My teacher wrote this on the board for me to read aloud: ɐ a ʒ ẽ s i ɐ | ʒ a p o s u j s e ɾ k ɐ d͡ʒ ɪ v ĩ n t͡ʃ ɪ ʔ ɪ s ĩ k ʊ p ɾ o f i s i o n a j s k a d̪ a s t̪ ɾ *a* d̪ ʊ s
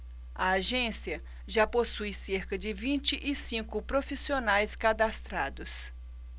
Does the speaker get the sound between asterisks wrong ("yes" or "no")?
no